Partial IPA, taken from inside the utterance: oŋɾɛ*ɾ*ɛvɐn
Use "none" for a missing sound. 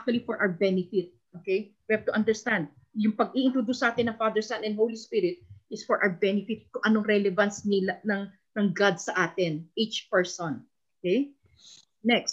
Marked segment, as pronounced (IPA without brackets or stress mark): l